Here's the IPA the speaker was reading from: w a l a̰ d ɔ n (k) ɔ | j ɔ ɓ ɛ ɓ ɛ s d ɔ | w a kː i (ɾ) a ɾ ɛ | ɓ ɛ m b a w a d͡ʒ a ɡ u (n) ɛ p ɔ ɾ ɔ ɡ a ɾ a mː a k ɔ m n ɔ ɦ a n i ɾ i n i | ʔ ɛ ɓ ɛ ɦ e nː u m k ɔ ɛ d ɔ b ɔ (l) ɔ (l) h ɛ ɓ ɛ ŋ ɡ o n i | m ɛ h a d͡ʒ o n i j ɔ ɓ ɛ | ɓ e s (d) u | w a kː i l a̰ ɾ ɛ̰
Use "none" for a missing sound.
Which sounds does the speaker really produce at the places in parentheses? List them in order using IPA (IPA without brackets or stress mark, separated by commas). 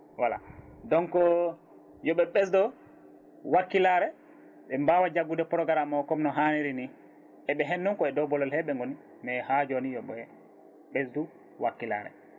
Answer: k, l, d, l, l, d